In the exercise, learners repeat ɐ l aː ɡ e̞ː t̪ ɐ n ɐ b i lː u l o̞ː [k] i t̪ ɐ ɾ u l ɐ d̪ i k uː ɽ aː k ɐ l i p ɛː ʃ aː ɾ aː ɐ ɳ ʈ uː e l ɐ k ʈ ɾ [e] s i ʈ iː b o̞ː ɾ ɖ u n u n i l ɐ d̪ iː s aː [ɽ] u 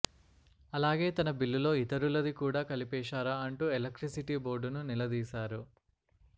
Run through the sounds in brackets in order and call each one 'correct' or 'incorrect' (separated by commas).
incorrect, incorrect, incorrect